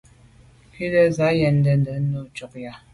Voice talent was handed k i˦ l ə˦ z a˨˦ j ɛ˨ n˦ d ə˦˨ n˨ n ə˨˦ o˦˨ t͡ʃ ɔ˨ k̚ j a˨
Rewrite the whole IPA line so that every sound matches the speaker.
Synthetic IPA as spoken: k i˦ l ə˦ z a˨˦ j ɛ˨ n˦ d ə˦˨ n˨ d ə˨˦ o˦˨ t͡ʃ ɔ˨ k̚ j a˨